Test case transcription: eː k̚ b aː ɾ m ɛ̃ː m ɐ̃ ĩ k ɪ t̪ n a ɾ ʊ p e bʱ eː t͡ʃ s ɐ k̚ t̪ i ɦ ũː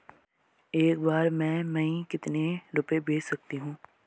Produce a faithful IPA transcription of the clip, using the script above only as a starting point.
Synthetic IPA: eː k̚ b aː ɾ m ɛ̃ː m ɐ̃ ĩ k ɪ t̪ n e ɾ ʊ p e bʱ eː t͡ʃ s ɐ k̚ t̪ i ɦ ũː